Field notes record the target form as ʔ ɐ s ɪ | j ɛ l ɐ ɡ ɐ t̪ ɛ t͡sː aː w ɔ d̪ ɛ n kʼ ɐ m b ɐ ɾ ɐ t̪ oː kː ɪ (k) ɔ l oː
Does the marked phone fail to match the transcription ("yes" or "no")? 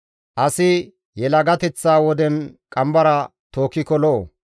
no